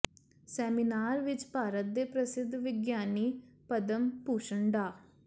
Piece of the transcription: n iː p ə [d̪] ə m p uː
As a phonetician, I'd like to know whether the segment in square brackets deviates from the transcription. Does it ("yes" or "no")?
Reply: no